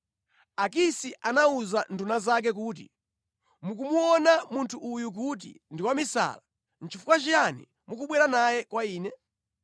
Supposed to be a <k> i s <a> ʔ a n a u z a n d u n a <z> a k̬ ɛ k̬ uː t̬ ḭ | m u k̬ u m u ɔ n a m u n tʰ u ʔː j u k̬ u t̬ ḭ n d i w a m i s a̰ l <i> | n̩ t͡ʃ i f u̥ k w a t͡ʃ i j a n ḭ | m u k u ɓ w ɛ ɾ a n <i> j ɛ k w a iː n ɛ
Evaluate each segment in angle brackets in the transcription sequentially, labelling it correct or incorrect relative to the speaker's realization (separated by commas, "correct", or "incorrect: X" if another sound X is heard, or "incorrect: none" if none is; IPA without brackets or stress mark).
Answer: correct, incorrect: i, correct, incorrect: a, incorrect: a